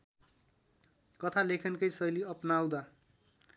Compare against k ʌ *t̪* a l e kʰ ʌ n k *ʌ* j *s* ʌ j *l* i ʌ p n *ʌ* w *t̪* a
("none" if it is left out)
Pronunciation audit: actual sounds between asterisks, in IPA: t̪ʰ, ʌ, s, l, a, d̪

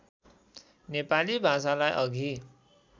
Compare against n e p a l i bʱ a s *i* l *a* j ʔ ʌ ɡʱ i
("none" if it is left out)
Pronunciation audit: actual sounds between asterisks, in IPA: a, a

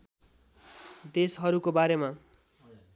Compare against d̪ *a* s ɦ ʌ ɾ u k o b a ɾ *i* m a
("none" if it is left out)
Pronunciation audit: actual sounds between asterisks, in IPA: e, e

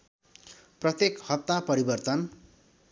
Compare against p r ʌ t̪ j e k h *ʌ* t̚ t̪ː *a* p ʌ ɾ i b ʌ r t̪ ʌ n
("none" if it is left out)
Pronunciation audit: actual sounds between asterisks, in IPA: ʌ, a

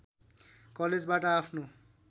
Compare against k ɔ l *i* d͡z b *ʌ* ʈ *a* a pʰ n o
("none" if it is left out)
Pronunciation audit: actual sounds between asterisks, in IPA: e, a, a

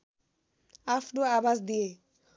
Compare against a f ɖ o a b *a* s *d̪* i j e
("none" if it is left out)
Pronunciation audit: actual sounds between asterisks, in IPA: a, d̪

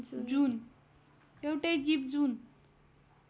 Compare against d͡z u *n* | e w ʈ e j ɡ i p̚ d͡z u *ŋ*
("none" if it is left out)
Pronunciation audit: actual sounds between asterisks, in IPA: n, n

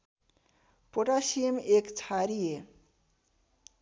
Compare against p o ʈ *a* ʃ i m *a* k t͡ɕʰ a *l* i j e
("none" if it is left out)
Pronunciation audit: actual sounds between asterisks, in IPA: a, e, ɾ

